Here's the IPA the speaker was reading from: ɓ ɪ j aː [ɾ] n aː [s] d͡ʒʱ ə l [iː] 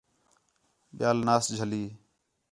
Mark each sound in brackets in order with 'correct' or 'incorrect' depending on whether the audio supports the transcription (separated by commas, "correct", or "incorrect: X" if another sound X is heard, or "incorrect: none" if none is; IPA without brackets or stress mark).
incorrect: l, correct, correct